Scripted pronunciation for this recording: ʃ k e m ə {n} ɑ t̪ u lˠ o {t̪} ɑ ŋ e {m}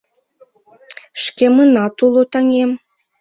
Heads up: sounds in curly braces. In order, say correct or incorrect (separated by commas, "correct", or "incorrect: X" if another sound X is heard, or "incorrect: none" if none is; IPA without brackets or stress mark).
correct, correct, correct